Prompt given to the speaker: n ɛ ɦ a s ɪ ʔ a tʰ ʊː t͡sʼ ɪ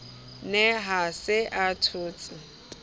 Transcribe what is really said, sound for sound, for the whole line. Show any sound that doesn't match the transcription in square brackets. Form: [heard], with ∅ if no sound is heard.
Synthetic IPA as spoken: n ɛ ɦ a s ɪ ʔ a tʰ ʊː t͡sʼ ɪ